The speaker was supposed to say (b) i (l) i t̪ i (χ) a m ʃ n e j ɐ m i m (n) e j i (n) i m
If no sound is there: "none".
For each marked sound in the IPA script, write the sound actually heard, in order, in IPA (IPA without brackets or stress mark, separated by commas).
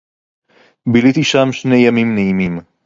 b, l, ʃ, n, m